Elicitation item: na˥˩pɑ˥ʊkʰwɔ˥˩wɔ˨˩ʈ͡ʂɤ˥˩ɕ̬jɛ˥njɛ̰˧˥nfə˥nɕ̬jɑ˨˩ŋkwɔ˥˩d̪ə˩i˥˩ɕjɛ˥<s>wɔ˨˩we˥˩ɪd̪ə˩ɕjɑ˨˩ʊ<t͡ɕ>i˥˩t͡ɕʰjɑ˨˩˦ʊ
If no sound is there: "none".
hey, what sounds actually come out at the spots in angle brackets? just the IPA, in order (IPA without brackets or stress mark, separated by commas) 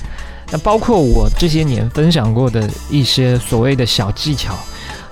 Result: s, t͡ɕ